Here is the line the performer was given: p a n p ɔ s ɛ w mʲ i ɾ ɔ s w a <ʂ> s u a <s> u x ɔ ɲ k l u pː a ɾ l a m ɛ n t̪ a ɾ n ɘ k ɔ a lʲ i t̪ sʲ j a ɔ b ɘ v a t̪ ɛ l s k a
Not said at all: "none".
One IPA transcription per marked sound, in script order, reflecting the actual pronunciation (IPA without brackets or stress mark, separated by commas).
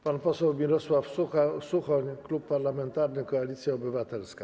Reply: f, s